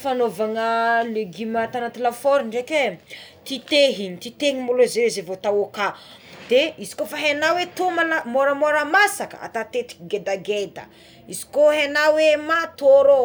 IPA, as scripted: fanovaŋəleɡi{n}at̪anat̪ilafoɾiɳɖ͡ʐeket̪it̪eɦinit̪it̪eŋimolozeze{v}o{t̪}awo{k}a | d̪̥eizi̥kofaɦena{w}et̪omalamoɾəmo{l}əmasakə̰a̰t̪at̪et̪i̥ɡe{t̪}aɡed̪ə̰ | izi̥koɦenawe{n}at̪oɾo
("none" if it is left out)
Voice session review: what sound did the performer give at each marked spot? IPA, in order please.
m, v, t̪, k, w, ɾ, d̪, m

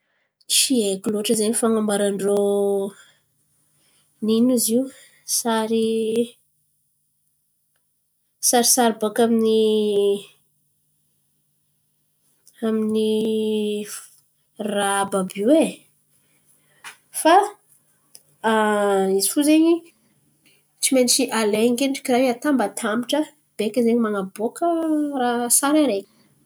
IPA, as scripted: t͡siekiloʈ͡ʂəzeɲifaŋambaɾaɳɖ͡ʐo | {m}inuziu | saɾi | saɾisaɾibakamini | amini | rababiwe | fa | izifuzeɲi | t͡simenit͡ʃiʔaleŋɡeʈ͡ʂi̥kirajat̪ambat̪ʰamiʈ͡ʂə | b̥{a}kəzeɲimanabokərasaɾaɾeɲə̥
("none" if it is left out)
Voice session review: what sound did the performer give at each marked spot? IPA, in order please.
n, e

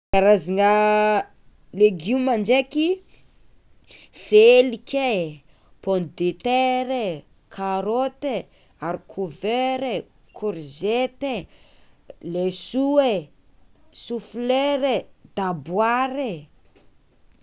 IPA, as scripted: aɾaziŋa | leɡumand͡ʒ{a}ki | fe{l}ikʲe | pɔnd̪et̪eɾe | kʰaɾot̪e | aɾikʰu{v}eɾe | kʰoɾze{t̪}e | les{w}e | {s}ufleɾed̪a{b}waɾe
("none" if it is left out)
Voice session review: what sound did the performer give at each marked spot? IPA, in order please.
e, l, v, t̪, u, s, b

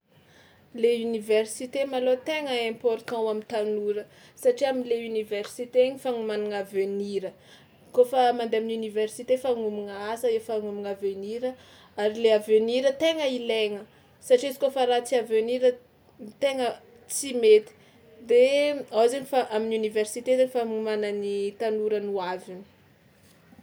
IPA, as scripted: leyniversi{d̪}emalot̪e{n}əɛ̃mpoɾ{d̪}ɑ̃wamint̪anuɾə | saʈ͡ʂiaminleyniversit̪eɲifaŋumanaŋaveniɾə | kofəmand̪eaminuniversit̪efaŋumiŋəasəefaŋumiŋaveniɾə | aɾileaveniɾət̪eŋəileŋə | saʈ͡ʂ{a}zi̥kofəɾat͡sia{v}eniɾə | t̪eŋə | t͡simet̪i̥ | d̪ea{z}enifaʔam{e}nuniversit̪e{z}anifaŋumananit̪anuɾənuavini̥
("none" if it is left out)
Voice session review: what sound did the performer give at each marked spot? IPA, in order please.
t̪, ŋ, t̪, i, v, z, i, z

